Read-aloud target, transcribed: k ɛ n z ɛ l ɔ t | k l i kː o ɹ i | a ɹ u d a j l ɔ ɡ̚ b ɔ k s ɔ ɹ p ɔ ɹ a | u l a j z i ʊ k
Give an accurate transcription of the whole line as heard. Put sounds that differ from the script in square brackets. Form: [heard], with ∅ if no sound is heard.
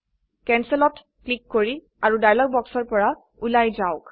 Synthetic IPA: k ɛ n [s] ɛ l ɔ t | k l i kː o ɹ i | a ɹ u d a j l ɔ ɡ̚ b ɔ k s ɔ ɹ p ɔ ɹ a | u l a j z [a] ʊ k